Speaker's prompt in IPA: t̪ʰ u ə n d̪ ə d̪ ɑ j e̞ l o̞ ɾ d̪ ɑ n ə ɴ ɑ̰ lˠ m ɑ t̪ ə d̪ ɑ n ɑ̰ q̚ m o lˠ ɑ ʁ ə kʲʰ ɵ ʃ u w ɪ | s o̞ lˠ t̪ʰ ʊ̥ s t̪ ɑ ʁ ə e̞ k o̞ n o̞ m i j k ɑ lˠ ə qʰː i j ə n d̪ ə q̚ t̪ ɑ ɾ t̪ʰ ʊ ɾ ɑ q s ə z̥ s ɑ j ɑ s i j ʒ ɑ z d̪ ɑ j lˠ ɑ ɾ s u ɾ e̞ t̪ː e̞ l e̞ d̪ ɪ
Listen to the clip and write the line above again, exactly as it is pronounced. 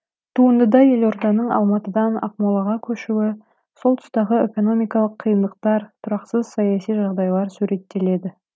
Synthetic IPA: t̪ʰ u ə n d̪ ə d̪ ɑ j e̞ l o̞ ɾ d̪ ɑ n ə ɴ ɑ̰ lˠ m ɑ t̪ ə d̪ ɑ n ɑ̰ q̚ m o lˠ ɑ ʁ ɑ kʲʰ ɵ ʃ u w ɪ | s o̞ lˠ t̪ʰ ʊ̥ s t̪ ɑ ʁ ə e̞ k o̞ n o̞ m i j k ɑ lˠ ə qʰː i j ə n d̪ ə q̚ t̪ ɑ ɾ t̪ʰ ʊ ɾ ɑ q s ə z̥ s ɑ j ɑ s i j ʒ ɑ ʁ d̪ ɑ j lˠ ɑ ɾ s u ɾ e̞ t̪ː e̞ l e̞ d̪ ɪ